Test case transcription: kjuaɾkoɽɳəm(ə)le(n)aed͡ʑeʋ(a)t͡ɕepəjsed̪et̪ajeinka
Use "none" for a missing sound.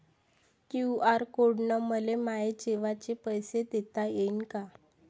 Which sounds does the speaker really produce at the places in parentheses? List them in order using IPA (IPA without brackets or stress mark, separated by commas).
ə, m, a